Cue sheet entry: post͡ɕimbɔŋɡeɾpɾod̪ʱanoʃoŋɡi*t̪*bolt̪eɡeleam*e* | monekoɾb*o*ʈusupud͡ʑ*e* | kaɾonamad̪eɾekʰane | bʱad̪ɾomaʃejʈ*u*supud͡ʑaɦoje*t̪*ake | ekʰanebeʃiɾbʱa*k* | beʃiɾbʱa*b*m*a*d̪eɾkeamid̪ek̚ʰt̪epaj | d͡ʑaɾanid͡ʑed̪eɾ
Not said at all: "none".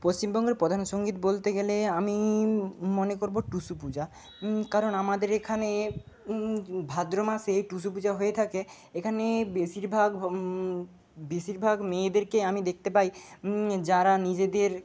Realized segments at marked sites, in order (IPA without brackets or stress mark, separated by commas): t̪, i, o, a, u, t̪ʰ, ɡ, ɡ, e